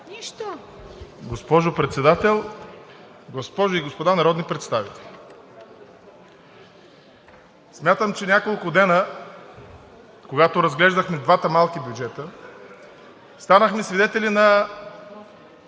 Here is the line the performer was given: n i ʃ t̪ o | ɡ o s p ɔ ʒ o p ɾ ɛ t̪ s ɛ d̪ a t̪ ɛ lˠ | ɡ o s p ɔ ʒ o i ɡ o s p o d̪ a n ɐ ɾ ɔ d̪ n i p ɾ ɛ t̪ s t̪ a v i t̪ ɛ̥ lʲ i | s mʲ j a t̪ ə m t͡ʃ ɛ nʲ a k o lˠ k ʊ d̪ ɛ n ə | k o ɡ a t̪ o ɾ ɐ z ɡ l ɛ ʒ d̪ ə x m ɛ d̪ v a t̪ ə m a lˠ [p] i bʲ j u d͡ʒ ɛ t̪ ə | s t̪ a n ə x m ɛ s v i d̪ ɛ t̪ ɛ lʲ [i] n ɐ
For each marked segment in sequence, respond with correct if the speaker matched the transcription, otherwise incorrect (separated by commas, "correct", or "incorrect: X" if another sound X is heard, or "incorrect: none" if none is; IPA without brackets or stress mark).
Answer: incorrect: k, correct